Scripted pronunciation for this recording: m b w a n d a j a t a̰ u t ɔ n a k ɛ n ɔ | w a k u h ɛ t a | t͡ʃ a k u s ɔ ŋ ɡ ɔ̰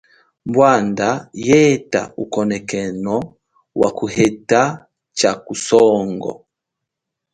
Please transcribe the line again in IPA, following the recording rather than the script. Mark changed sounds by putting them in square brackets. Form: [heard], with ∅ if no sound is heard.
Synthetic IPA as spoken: m b w a n d a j [ɛ] t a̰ u [k] ɔ n [ɛ] k ɛ n ɔ | w a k u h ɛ t a | t͡ʃ a k u s ɔ ŋ ɡ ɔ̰